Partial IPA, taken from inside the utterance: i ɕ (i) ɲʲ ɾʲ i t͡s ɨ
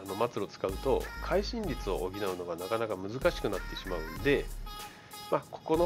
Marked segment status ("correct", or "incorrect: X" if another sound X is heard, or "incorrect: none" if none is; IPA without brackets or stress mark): incorrect: ĩ